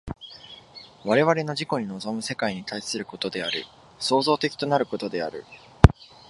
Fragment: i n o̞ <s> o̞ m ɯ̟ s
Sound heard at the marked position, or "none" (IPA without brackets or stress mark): z